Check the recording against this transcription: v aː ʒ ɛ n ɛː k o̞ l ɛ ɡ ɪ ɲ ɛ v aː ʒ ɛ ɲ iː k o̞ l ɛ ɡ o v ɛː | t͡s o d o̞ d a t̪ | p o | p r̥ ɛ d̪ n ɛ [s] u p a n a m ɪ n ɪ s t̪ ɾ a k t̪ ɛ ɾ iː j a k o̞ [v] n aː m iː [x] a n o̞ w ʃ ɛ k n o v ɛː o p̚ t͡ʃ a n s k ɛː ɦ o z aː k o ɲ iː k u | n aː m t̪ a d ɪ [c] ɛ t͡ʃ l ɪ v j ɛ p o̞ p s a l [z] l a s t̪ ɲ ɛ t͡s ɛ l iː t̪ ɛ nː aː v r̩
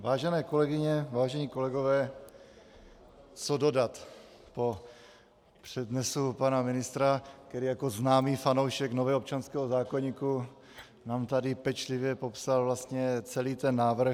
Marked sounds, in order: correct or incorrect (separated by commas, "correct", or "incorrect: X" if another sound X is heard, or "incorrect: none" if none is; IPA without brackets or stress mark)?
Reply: correct, incorrect: z, incorrect: f, incorrect: p, incorrect: v